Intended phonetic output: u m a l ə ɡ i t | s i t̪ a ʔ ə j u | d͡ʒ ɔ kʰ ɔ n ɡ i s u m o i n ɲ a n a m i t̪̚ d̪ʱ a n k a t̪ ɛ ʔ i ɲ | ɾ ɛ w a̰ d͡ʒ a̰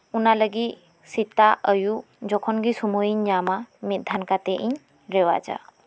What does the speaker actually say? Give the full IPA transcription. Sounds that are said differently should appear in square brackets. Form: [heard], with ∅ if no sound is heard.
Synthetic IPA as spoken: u [n] a l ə ɡ i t | s i t̪ a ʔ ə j u | d͡ʒ ɔ kʰ ɔ n ɡ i s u m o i [ɲ] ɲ a [m] a m i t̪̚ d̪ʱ a n k a t̪ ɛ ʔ i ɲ | ɾ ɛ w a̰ d͡ʒ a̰